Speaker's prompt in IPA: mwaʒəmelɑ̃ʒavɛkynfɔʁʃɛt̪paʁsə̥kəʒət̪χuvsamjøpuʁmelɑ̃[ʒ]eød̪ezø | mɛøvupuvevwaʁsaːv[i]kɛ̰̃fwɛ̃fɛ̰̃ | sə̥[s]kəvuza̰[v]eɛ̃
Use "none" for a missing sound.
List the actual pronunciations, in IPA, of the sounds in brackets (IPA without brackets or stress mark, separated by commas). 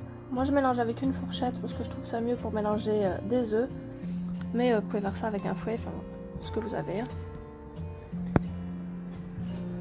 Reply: ʒ, ɛ, none, v